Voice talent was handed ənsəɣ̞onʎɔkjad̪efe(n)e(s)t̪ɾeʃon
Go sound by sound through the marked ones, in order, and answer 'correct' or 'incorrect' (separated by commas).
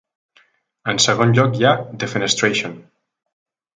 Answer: correct, correct